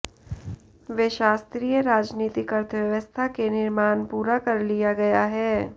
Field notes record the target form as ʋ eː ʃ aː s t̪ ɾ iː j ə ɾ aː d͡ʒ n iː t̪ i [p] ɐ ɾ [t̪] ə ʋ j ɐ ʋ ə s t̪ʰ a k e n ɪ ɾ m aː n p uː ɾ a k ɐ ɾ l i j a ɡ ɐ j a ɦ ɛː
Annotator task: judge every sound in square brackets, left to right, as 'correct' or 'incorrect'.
incorrect: k, incorrect: t̪ʰ

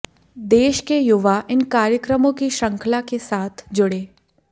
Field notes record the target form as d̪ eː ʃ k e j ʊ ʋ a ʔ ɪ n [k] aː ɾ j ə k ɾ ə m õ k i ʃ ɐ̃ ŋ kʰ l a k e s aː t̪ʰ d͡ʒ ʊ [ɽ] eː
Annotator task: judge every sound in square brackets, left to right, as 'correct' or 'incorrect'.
correct, correct

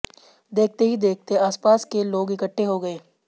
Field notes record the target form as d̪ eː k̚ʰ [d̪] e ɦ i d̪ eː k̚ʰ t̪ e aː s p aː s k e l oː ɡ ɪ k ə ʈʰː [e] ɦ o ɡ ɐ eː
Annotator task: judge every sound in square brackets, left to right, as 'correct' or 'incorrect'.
incorrect: t̪, correct

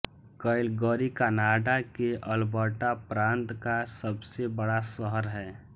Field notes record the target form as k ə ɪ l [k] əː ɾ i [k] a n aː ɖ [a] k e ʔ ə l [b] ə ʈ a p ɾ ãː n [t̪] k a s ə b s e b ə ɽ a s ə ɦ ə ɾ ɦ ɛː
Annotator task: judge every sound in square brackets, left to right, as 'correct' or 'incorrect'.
incorrect: ɡ, correct, correct, correct, correct

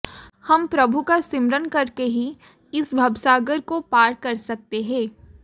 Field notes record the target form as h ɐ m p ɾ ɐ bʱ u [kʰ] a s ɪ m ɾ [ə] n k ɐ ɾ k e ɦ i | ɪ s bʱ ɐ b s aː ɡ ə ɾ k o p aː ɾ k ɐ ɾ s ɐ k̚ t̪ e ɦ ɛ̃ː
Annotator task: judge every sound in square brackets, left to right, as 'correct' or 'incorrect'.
incorrect: k, correct

